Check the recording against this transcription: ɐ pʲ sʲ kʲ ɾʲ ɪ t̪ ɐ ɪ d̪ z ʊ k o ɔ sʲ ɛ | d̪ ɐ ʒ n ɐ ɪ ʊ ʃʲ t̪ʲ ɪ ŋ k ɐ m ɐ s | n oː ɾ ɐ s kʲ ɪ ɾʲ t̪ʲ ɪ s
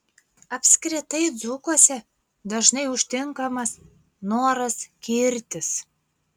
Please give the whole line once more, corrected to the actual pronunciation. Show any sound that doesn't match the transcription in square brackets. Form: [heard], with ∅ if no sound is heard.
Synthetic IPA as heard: ɐ pʲ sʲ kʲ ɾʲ ɪ t̪ ɐ ɪ d̪ z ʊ k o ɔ sʲ ɛ | d̪ ɐ ʒ n ɐ ɪ ʊ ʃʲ t̪ʲ ɪ ŋ k ɐ m ɐ s | n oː ɾ ɐ s kʲ ɪ ɾʲ t̪ʲ ɪ s